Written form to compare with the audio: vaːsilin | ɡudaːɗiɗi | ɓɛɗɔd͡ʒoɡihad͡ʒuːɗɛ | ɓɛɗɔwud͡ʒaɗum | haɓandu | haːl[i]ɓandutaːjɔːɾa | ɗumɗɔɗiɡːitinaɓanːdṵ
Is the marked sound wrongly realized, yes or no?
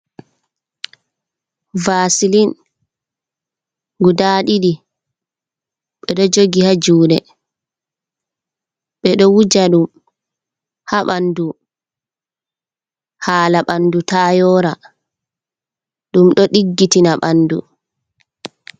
yes